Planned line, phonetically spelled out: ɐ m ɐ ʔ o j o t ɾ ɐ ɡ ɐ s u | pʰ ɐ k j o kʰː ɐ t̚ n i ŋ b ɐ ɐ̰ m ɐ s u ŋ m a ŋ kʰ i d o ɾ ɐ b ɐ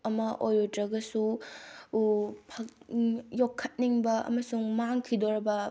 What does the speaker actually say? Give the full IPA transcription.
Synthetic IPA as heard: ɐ m ɐ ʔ o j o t ɾ ɐ ɡ ɐ s u | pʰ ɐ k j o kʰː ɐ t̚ n i ŋ b ɐ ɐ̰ m ɐ s u ŋ m a ŋ kʰ i d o ɾ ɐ b ɐ